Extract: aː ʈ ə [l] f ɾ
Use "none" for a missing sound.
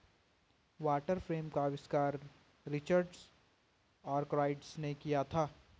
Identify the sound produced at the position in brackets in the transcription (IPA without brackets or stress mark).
ɾ